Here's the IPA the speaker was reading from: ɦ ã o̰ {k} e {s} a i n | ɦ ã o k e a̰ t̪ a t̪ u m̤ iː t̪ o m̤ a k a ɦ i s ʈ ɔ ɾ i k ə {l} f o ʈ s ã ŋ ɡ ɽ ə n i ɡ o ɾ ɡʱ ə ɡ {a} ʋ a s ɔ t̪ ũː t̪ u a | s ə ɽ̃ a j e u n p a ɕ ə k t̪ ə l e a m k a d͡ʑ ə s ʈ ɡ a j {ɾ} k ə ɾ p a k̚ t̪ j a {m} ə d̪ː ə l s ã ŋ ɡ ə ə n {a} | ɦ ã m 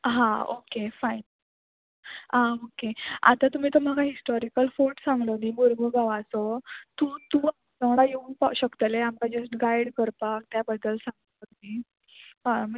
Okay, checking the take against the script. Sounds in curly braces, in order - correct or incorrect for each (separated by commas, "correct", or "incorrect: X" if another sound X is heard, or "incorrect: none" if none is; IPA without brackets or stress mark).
correct, incorrect: f, correct, correct, incorrect: ɽ, incorrect: b, incorrect: i